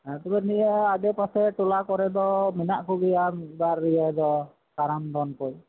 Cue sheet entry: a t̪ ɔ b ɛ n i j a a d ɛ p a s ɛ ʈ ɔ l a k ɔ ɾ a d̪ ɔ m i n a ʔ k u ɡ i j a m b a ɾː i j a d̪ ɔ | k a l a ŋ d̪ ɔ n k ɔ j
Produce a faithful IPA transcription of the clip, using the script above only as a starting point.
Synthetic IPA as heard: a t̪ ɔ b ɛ n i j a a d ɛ p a s ɛ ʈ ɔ l a k ɔ ɾ ɛ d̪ ɔ m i n a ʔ k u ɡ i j a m b a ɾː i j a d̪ ɔ | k a ɾ a m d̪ ɔ n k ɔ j